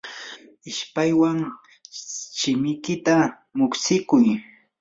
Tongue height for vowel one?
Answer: high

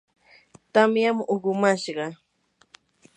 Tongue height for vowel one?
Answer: low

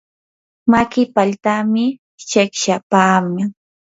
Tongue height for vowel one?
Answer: low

